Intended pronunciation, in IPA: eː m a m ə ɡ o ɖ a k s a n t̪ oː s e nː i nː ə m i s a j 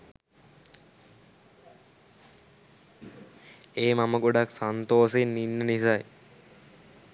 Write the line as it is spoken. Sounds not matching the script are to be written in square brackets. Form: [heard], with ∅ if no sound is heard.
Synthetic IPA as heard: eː m a m ə ɡ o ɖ a k s a n t̪ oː s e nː i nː ə [n] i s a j